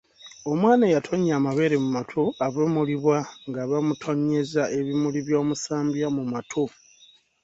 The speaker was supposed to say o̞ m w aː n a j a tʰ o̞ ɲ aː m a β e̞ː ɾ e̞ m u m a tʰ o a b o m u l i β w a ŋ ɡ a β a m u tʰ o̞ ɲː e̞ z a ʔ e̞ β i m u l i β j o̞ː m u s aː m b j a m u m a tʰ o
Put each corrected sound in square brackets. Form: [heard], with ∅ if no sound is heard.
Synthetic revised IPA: o̞ m w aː n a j a tʰ o̞ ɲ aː m a β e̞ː ɾ e̞ m u m a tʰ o a [β] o m u l i β w a ŋ ɡ a β a m u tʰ o̞ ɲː e̞ z a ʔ e̞ β i m u l i β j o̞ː m u s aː m b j a m u m a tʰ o